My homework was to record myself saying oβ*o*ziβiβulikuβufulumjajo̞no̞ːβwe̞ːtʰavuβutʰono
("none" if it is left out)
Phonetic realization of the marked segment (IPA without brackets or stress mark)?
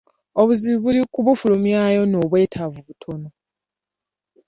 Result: u